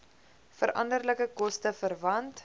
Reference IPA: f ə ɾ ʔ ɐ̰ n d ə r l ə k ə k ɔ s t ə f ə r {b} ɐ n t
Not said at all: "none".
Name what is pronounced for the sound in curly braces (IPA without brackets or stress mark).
v